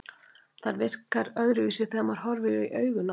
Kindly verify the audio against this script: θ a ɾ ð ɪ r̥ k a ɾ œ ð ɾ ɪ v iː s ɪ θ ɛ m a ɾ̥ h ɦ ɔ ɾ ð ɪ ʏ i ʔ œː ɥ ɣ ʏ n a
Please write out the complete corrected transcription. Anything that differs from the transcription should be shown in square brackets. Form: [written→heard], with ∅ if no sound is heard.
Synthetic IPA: θ a ɾ [ð→v] ɪ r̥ k a ɾ œ [ð→ɣ] ɾ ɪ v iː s ɪ θ ɛ m a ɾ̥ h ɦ ɔ ɾ [ð→v] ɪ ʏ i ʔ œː ɥ ɣ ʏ n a